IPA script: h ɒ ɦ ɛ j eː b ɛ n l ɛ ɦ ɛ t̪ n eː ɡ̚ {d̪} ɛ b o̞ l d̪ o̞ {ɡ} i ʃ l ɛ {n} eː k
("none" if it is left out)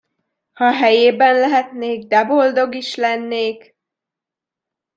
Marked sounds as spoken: d̪, ɡ, nː

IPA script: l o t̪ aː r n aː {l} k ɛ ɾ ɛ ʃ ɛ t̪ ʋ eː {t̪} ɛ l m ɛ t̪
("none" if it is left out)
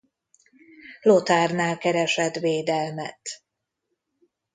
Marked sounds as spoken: l, d̪

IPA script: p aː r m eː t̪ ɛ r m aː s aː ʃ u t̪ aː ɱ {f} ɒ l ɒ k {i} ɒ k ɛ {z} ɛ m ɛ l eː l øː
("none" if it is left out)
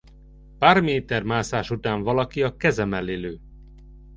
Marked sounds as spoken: v, i, z

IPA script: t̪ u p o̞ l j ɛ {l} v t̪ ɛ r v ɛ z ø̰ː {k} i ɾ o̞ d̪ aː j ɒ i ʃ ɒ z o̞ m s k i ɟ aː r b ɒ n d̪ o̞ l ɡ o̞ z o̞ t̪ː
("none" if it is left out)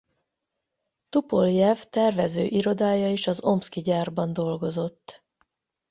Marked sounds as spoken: none, ʔ

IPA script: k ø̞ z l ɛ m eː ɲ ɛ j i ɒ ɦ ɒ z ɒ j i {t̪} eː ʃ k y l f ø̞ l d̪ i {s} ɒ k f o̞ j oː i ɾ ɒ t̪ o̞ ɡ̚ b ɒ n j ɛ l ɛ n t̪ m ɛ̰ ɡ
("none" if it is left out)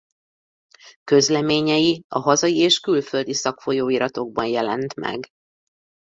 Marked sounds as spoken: none, s

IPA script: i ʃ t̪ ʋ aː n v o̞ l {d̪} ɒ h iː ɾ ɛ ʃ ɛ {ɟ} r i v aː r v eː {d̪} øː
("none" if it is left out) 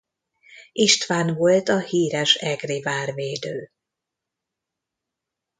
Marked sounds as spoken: t̪, ɡ, d̪

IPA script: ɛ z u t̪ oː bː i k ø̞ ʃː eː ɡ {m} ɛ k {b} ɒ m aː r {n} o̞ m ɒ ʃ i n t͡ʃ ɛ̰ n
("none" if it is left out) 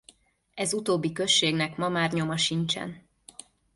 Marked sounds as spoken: n, m, ɲ

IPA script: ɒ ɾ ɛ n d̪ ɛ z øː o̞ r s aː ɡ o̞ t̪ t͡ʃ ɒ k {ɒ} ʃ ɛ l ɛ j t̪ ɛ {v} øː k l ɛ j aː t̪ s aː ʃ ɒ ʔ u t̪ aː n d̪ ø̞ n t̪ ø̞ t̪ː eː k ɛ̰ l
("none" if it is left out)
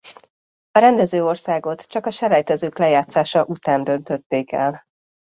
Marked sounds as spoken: ɒ, z

